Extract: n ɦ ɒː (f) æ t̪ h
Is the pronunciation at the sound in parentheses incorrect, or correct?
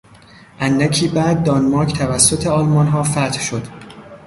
correct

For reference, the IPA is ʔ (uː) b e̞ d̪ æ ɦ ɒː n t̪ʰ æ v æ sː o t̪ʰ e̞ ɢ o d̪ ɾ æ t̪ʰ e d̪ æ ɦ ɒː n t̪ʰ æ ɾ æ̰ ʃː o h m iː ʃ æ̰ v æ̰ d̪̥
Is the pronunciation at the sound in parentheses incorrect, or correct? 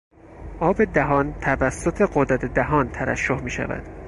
incorrect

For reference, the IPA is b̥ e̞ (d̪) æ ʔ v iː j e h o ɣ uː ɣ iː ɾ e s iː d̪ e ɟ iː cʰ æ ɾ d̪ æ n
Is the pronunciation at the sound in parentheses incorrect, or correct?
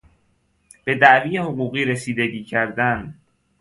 correct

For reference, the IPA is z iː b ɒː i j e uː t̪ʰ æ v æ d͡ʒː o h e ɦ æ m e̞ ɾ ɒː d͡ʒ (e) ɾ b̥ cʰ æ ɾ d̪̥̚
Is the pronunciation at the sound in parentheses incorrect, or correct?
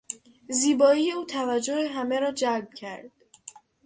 incorrect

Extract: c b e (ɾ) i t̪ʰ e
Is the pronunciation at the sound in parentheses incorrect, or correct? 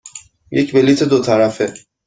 incorrect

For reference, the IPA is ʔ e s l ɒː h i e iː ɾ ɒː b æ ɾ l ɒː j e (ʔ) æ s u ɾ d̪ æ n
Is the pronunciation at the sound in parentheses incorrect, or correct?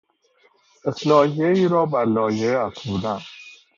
incorrect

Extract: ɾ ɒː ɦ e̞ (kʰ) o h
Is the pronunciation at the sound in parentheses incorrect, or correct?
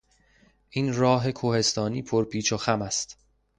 correct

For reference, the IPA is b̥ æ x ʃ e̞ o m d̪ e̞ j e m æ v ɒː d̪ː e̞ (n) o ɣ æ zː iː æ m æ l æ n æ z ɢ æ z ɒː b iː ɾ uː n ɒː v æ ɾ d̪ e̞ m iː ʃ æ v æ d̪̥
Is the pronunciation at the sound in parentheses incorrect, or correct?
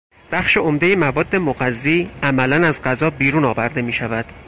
incorrect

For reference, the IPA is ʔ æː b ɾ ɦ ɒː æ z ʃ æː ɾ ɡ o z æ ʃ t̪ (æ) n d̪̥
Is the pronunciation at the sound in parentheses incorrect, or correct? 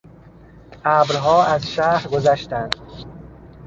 correct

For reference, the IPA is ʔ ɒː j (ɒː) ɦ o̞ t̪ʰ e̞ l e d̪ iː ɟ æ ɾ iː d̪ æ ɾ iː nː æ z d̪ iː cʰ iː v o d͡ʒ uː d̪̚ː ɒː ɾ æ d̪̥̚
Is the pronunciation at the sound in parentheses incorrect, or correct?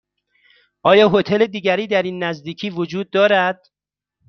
correct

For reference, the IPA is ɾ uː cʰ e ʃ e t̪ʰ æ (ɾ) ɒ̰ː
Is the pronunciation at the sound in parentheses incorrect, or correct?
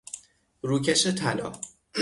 incorrect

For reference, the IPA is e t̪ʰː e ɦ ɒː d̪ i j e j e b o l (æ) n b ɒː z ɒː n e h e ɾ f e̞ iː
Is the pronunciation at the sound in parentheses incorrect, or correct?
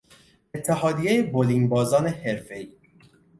incorrect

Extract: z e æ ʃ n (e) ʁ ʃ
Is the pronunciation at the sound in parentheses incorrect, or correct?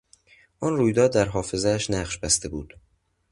incorrect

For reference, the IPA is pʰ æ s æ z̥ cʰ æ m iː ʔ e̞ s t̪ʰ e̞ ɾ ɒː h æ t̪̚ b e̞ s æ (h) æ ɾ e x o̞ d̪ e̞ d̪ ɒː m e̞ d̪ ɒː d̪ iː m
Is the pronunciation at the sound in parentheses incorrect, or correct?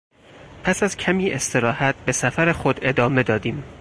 incorrect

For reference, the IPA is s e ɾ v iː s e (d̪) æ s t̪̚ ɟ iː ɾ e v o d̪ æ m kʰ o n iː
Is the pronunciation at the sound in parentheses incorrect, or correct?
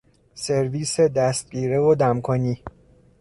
correct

